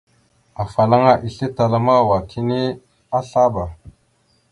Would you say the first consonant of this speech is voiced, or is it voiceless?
voiceless